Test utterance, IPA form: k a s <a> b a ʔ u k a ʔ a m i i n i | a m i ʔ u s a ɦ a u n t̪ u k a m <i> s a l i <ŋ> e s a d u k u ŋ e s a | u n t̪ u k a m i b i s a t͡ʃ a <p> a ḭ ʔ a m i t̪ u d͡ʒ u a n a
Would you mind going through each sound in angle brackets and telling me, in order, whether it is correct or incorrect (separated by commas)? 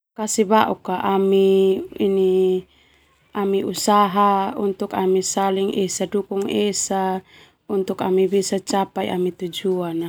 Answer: incorrect, correct, correct, correct